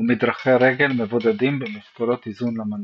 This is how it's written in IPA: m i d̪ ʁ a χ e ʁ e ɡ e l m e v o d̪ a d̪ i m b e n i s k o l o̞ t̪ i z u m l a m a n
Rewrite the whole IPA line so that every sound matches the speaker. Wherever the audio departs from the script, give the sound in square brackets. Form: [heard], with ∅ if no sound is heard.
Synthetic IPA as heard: m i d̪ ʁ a χ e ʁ e ɡ e l m e v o d̪ a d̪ i m b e [m] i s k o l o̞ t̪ i z u [n] l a m a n